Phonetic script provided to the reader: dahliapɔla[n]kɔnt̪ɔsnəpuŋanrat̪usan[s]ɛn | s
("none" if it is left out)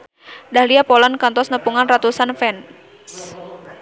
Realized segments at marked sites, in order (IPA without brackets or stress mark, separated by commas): n, f